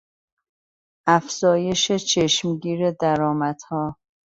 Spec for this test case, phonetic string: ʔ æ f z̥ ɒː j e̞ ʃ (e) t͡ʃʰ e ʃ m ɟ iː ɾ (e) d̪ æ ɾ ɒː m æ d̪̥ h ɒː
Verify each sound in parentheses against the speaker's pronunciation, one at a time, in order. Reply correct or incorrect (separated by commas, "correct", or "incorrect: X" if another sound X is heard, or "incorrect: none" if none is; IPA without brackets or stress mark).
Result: correct, correct